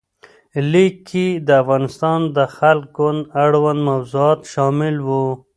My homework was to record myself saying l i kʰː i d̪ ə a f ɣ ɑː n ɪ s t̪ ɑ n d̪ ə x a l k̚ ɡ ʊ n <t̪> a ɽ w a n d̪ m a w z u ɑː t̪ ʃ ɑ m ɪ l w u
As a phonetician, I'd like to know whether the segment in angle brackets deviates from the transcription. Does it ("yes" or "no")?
yes